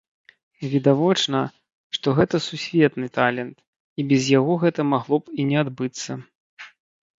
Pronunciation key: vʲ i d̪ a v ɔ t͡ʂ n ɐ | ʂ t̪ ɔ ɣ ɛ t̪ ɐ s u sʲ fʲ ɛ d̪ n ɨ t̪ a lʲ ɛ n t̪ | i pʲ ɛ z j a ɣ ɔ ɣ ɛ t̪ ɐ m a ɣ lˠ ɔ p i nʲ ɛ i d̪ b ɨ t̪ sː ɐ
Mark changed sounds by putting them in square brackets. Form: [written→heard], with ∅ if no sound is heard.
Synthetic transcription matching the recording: vʲ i d̪ a v ɔ t͡ʂ n ɐ | ʂ t̪ ɔ ɣ ɛ t̪ ɐ s u sʲ [fʲ→vʲ] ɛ [d̪→t̪] n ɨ t̪ a lʲ ɛ n t̪ | i [pʲ→bʲ] ɛ z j a ɣ ɔ ɣ ɛ t̪ ɐ m a ɣ lˠ ɔ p i nʲ ɛ [i→a] d̪ b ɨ t̪ sː ɐ

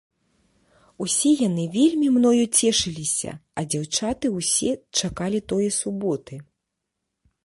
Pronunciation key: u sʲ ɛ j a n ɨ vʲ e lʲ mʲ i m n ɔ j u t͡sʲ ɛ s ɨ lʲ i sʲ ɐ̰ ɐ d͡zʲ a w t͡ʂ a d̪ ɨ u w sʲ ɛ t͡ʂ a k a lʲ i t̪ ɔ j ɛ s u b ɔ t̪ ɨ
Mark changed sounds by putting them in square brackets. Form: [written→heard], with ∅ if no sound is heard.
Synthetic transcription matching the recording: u sʲ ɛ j a n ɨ vʲ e lʲ mʲ i m n ɔ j u t͡sʲ ɛ [s→ʂ] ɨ lʲ i sʲ ɐ̰ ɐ d͡zʲ a w t͡ʂ a [d̪→t̪] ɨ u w sʲ ɛ t͡ʂ a k a lʲ i t̪ ɔ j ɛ s u b ɔ t̪ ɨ

